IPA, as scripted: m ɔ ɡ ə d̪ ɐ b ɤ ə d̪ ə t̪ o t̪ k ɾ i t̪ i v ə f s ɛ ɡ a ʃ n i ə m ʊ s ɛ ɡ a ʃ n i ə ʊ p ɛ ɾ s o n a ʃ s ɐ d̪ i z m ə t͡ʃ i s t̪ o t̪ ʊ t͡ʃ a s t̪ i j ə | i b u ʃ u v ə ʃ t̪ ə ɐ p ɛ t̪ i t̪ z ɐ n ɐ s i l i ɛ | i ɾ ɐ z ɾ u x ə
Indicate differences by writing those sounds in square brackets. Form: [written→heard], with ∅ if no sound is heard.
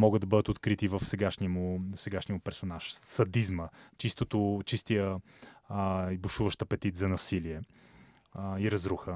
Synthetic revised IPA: m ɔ ɡ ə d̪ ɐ b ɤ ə d̪ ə t̪ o t̪ k ɾ i t̪ i v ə f s ɛ ɡ a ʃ n i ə m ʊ s ɛ ɡ a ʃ n i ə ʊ p ɛ ɾ s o n a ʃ s ɐ d̪ i z m ə t͡ʃ i s t̪ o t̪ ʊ t͡ʃ [a→i] s t̪ i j ə | i b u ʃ u v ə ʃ t̪ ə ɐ p ɛ t̪ i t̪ z ɐ n ɐ s i l i ɛ | i ɾ ɐ z ɾ u x ə